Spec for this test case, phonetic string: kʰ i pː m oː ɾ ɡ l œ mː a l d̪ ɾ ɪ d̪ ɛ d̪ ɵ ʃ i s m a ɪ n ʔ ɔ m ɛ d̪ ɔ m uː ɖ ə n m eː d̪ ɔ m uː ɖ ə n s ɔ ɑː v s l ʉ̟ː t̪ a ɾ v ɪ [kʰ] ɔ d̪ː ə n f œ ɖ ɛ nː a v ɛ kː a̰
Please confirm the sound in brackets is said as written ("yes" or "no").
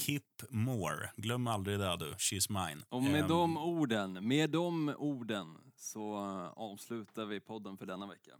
no